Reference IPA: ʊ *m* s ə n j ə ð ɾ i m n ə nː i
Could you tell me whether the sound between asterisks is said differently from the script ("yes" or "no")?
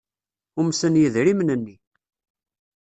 no